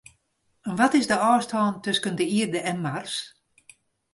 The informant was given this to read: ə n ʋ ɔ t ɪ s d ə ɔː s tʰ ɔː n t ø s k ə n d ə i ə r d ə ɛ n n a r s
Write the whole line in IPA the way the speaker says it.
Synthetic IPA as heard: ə n ʋ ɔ t ɪ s d ə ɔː s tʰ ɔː n t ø s k ə n d ə i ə r d ə ɛ n m a r s